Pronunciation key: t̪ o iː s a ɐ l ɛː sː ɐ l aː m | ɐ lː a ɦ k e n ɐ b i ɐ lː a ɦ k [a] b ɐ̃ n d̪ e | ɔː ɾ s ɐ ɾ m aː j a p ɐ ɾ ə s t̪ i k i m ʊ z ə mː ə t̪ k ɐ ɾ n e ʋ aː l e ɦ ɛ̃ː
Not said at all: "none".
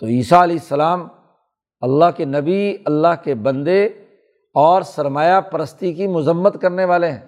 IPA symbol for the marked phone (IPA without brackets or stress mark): e